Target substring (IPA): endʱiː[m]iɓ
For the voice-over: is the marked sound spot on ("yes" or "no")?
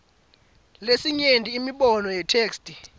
yes